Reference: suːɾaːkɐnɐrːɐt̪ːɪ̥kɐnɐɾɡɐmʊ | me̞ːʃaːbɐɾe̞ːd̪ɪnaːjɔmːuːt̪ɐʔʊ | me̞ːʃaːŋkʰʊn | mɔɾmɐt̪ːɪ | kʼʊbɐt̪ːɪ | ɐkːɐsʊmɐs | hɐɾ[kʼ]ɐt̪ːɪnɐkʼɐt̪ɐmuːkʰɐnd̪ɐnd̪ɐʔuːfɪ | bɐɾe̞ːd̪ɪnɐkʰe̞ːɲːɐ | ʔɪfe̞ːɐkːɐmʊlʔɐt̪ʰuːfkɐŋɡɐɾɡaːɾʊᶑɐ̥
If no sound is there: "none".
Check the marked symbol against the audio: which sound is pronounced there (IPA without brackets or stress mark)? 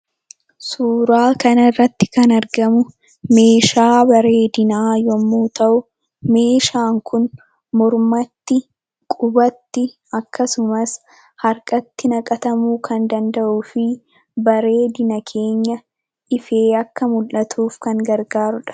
kʼ